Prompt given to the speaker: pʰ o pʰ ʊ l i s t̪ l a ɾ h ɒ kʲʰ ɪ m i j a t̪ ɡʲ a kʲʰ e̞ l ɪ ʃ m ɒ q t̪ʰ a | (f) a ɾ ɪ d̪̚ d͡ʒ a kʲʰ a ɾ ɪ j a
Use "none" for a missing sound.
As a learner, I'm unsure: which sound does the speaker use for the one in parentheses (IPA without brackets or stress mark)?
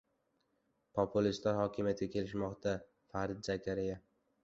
f